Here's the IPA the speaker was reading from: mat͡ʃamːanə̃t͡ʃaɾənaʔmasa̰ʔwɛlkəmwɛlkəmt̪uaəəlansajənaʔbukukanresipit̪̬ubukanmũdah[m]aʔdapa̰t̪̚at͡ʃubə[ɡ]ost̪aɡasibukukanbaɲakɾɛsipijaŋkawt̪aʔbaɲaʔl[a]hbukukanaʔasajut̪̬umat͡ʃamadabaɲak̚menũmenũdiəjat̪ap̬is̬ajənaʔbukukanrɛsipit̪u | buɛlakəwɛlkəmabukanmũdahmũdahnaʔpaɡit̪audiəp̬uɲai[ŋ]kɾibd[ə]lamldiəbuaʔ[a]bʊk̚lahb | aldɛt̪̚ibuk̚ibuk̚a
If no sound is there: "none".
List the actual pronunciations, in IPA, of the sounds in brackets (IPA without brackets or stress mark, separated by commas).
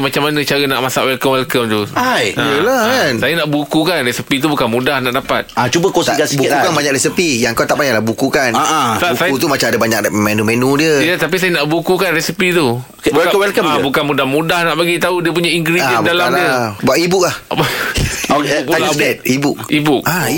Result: n, k, a, ŋ, a, i